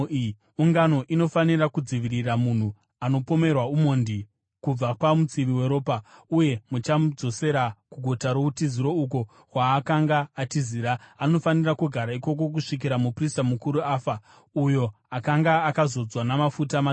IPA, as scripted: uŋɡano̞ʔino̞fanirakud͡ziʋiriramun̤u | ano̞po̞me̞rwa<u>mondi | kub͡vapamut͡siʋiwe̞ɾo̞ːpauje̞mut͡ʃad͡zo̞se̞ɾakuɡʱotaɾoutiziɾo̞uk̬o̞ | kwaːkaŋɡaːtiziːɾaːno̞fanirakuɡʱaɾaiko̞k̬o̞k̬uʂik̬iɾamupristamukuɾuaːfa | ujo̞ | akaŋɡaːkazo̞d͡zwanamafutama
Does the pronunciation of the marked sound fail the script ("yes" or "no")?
no